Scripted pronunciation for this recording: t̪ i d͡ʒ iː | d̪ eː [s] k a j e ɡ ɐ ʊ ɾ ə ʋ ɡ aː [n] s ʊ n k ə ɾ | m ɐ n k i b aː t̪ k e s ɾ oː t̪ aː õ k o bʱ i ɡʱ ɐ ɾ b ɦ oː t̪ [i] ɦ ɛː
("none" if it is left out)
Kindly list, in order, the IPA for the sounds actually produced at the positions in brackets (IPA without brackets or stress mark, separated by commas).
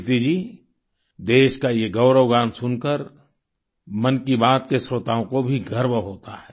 ʃ, n, a